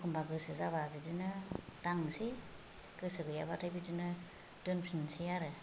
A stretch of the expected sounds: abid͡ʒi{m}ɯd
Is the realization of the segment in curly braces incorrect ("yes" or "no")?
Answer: yes